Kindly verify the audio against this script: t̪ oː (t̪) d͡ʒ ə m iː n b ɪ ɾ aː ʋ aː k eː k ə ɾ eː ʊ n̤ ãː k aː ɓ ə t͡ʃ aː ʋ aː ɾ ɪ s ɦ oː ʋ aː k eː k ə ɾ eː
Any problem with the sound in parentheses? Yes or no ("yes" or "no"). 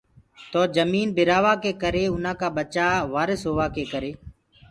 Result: yes